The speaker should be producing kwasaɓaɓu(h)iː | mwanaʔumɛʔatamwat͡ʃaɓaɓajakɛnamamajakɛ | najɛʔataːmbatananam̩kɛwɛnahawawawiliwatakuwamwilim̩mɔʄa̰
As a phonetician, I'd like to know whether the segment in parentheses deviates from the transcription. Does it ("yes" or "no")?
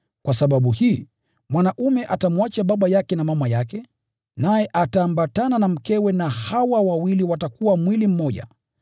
no